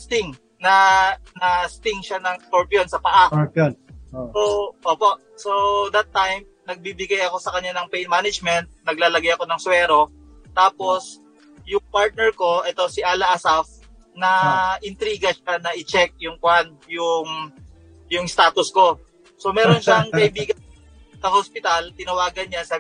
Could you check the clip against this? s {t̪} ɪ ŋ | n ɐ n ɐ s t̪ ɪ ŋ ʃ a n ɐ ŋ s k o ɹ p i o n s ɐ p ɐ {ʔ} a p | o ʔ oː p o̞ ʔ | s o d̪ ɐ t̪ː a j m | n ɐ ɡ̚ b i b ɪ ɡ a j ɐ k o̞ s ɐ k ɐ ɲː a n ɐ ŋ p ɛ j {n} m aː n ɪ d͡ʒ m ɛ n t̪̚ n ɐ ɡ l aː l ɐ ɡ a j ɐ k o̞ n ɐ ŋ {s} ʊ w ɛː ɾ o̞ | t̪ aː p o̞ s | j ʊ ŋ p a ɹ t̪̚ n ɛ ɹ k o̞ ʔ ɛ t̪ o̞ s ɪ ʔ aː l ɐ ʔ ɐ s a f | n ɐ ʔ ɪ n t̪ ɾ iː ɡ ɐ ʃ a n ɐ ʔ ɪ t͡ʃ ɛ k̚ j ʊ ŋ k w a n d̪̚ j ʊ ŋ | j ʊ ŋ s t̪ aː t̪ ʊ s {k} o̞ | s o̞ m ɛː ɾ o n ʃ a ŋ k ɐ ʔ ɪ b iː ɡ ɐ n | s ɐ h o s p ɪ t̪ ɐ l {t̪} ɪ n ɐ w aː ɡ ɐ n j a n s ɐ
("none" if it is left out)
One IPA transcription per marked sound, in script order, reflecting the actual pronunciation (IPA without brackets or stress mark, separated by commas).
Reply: t̪, ʔ, n, s, k, t̪